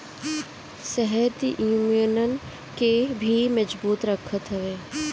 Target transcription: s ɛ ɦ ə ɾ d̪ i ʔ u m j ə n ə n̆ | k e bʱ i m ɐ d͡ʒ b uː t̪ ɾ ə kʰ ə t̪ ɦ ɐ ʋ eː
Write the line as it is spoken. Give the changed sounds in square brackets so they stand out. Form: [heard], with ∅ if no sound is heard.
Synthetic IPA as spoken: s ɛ ɦ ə ɾ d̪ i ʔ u m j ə n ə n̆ | k e bʱ i m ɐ d͡ʒ b uː t̪ ɾ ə kʰ ə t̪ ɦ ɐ ʋ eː